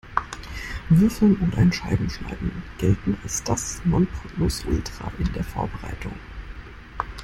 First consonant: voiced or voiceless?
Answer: voiced